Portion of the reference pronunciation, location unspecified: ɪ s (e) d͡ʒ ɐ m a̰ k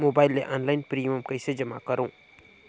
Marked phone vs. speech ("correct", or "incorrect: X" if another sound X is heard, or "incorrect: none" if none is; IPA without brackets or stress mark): correct